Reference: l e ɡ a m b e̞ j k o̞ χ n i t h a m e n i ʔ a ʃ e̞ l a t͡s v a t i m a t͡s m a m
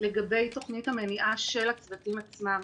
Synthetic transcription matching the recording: l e ɡ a b e̞ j t o̞ χ n i t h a m e n i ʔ a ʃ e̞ l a t͡s v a t i m a t͡s m a m